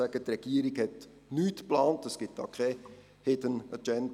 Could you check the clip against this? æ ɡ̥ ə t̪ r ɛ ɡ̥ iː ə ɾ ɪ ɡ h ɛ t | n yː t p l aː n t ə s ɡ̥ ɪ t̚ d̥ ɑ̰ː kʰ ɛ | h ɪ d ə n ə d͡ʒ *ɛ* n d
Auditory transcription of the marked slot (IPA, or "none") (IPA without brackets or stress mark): ɛ